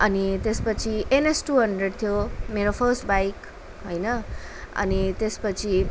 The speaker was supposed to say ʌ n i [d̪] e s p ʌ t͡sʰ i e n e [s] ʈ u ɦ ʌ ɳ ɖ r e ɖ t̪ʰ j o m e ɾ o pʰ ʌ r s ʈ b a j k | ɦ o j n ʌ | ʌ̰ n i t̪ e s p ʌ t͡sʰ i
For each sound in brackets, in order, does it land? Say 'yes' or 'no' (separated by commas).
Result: no, yes